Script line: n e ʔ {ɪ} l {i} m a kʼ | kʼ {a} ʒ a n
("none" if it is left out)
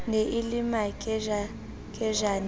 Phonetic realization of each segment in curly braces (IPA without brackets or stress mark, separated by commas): i, i, ɛ